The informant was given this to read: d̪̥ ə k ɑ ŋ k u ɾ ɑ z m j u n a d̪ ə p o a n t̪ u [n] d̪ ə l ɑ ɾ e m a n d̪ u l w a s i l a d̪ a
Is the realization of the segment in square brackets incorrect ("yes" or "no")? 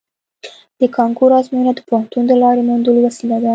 no